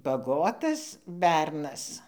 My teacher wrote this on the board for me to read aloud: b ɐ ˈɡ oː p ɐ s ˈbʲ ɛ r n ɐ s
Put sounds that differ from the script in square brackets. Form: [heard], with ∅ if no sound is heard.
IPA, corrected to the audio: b ɐ ˈɡ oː [t] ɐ s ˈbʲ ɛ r n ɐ s